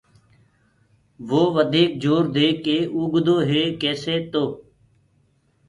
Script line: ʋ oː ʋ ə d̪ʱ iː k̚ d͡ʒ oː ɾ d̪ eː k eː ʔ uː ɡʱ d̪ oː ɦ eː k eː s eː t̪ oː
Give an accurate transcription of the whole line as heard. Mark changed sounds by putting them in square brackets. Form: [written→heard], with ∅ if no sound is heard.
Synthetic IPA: ʋ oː ʋ ə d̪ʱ iː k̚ d͡ʒ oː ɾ d̪ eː k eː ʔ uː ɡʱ d̪ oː ɦ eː k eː s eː t̪ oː